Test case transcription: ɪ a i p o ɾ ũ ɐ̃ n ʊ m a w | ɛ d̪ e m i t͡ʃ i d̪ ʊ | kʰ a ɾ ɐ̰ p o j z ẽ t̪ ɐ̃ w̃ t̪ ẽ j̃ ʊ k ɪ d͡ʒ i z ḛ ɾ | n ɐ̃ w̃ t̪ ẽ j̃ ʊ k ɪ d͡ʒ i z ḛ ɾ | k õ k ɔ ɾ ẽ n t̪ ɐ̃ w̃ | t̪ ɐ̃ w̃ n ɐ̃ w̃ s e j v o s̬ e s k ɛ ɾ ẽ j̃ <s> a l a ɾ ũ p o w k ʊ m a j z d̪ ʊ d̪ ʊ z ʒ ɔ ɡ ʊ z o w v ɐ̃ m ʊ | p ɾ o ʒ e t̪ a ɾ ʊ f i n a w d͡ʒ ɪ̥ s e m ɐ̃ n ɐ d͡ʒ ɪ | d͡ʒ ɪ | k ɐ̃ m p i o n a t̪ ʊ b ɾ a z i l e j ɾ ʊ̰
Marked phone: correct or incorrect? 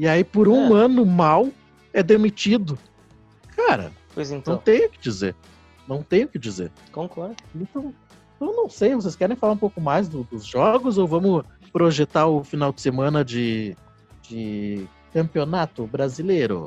incorrect